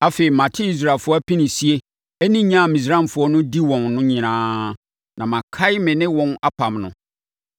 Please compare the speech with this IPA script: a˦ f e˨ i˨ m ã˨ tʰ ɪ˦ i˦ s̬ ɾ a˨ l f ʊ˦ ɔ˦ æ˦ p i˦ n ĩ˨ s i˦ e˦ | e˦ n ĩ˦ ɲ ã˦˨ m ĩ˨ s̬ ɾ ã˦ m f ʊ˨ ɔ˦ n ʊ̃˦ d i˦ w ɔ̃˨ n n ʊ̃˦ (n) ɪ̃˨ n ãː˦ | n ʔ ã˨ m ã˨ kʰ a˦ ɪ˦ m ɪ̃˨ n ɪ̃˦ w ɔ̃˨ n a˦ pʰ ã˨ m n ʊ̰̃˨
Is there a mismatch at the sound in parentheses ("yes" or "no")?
yes